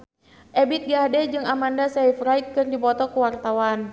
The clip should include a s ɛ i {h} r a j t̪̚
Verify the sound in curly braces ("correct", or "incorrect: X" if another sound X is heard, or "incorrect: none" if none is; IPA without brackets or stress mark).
incorrect: f